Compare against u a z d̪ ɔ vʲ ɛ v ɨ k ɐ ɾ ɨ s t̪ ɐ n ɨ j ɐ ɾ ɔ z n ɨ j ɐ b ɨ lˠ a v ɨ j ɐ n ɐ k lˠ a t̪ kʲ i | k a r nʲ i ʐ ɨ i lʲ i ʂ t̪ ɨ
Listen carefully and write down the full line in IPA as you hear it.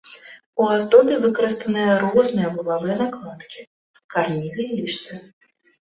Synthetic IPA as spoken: u a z d̪ ɔ bʲ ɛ v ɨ k ɐ ɾ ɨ s t̪ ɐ n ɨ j ɐ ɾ ɔ z n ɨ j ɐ b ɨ lˠ a v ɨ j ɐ n a k lˠ a t̪ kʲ i | k a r nʲ i z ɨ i lʲ i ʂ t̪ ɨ